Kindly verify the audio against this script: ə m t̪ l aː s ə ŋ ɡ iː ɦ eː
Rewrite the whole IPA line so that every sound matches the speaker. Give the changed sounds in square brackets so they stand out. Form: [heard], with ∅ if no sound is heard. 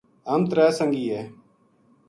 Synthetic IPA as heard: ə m t̪ [ɾ] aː s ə ŋ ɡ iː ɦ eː